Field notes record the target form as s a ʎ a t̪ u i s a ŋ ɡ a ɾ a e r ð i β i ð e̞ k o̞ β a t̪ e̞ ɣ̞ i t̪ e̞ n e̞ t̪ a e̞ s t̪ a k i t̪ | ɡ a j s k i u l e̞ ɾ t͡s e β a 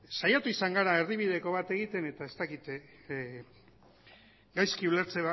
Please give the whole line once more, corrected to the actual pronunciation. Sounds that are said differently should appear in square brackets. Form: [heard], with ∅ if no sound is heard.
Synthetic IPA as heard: s a [j] a t̪ u i s a ŋ ɡ a ɾ a e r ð i β i ð e̞ k o̞ β a t̪ e̞ ɣ̞ i t̪ e̞ n e̞ t̪ a e̞ s t̪ a k i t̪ | ɡ a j s k i u l e̞ ɾ t͡s e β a